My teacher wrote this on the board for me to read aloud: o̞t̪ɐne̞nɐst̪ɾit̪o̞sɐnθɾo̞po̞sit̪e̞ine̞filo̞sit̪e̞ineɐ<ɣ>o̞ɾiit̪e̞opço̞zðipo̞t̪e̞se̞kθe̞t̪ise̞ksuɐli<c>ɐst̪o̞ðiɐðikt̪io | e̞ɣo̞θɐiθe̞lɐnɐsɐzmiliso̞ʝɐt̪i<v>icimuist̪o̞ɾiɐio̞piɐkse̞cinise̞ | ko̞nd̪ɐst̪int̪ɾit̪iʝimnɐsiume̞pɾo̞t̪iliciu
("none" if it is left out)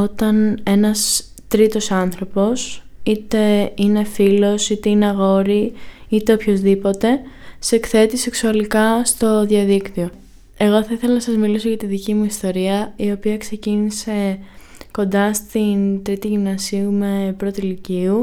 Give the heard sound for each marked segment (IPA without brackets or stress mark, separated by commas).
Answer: ɣ, k, ð